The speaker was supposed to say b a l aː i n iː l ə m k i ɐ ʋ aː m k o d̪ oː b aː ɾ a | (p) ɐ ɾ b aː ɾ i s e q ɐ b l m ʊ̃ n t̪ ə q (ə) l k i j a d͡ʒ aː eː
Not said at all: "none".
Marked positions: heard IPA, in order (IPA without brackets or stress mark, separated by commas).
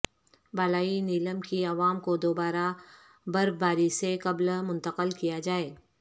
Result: b, ə